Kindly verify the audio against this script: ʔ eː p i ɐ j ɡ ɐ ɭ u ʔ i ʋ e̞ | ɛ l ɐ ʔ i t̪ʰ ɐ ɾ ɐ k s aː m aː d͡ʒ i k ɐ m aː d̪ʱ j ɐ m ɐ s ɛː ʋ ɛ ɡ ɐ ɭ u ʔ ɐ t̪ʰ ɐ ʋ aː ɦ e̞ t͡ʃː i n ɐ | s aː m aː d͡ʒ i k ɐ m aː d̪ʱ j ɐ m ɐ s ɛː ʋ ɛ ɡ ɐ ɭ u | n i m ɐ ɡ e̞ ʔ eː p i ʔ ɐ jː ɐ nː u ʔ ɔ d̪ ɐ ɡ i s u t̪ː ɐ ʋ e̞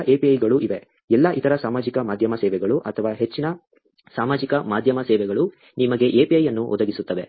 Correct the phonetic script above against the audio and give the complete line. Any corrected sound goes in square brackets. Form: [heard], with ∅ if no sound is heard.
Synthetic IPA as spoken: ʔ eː p i ɐ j ɡ ɐ ɭ u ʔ i ʋ e̞ | ɛ [lː] ɐ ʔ i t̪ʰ ɐ ɾ ɐ [∅] s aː m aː d͡ʒ i k ɐ m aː d̪ʱ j ɐ m ɐ s ɛː ʋ ɛ ɡ ɐ ɭ u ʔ ɐ t̪ʰ ɐ ʋ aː ɦ e̞ t͡ʃː i n ɐ | s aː m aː d͡ʒ i k ɐ m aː d̪ʱ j ɐ m ɐ s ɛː ʋ ɛ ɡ ɐ ɭ u | n i m ɐ ɡ e̞ ʔ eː p i [∅] ɐ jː ɐ nː u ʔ ɔ d̪ ɐ ɡ i s u t̪ː ɐ ʋ e̞